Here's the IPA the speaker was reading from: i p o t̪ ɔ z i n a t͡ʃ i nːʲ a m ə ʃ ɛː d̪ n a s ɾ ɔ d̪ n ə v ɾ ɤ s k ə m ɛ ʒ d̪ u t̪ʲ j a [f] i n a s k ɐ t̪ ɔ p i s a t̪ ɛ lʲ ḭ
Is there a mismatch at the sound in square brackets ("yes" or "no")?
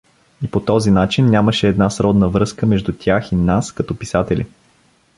yes